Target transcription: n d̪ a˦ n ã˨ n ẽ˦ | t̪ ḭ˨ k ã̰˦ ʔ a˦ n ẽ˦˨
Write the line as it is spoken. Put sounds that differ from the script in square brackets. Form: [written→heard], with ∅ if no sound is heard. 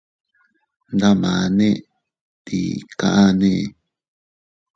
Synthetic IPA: n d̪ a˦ [n→m] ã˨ n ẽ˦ | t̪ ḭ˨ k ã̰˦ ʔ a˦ n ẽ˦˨